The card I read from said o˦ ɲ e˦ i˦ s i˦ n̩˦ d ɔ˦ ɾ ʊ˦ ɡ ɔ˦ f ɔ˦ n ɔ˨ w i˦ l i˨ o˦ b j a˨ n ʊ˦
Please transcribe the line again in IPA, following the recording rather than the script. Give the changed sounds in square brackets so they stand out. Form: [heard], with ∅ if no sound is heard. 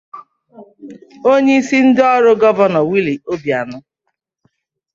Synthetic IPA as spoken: o˦ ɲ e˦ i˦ s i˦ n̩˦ d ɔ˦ ɾ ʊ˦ ɡ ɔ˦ [v] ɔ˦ n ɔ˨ w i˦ l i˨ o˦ b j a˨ n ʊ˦